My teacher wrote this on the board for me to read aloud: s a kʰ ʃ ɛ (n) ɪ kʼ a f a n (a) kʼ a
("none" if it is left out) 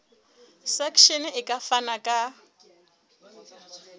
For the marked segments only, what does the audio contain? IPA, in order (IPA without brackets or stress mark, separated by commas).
n, a